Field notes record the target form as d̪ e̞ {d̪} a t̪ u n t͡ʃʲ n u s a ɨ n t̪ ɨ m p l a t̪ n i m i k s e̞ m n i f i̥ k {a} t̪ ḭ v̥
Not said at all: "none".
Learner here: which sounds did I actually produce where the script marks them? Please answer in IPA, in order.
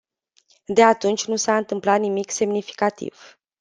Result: none, a

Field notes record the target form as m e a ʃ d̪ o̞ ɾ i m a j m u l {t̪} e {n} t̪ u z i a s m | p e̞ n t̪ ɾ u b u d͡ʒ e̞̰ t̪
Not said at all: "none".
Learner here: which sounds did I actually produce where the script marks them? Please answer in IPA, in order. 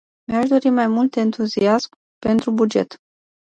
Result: t̪, n

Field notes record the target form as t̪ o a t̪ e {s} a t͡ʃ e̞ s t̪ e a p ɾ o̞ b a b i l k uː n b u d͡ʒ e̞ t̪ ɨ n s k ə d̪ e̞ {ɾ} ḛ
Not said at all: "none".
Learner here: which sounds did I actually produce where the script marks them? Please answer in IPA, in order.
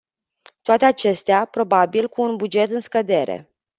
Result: none, ɾ

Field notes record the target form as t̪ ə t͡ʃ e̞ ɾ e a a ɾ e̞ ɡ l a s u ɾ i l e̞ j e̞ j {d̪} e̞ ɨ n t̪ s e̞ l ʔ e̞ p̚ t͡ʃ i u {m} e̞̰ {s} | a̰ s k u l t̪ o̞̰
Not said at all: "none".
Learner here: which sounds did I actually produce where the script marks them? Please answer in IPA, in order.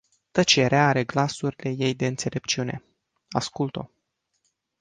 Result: d̪, n, none

